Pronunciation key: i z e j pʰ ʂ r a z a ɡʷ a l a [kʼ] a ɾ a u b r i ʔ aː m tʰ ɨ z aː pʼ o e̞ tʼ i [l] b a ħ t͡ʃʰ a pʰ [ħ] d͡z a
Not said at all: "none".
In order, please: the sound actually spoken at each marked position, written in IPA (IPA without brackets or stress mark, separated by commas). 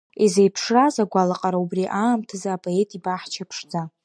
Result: qʼ, none, ʂ